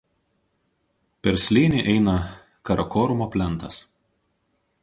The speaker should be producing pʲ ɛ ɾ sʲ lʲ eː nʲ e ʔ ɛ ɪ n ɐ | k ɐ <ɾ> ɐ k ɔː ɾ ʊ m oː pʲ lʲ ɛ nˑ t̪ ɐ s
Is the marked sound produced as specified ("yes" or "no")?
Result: yes